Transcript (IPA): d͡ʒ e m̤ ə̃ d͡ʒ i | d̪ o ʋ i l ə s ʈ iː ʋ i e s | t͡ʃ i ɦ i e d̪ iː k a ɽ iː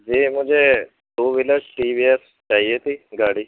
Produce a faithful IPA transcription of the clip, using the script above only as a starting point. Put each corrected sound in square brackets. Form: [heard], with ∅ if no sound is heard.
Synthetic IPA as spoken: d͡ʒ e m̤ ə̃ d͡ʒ [e] | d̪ o ʋ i l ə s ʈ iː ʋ i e s | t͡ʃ [a] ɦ i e [t̪] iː [ɡ] a ɽ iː